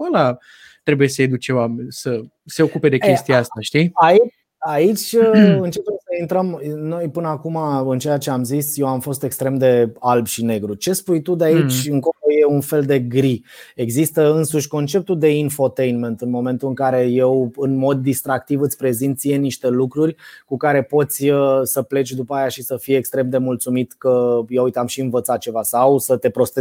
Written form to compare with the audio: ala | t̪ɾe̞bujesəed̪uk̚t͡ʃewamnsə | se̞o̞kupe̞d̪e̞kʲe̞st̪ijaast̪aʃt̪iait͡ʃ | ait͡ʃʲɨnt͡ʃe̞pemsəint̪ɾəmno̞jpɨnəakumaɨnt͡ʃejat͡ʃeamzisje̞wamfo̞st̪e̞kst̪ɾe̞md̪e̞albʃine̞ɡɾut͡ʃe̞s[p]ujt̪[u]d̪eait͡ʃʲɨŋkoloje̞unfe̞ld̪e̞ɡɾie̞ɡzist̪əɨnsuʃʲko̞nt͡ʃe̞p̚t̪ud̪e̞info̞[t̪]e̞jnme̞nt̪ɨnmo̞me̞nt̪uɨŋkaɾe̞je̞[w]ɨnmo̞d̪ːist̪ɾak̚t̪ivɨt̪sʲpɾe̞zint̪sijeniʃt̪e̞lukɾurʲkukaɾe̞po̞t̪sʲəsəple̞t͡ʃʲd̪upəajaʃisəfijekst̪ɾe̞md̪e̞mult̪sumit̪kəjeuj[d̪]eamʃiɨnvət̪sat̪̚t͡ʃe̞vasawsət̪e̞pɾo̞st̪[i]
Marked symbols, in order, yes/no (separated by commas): yes, yes, yes, yes, no, no